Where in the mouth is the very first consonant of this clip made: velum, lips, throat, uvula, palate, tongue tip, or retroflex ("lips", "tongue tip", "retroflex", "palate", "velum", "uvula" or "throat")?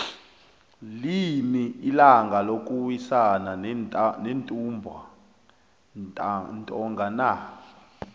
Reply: tongue tip